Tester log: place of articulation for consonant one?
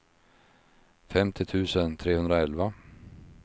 labial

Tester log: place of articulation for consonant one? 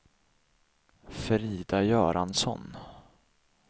labial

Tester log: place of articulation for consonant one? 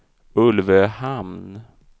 alveolar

